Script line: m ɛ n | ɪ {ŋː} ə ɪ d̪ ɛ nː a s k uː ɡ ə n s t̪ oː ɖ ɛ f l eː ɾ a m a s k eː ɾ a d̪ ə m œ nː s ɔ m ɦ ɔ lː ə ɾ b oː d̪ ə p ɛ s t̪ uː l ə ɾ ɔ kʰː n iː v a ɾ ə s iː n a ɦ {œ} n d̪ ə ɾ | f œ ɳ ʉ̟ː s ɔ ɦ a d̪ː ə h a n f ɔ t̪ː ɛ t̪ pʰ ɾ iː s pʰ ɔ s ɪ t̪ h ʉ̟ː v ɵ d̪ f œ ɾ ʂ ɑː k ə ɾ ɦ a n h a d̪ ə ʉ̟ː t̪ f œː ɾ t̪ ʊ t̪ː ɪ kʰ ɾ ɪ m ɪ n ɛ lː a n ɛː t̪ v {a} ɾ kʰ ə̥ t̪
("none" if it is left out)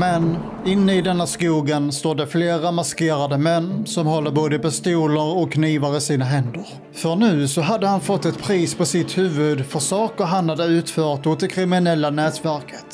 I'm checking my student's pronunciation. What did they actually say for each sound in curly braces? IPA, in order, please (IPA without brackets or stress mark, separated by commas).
nː, ɛ, æ